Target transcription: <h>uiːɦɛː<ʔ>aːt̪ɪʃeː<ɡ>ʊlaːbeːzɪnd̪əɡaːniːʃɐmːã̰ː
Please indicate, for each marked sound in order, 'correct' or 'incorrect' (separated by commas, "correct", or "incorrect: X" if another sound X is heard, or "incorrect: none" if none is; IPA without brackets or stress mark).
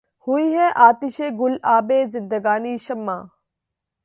correct, correct, correct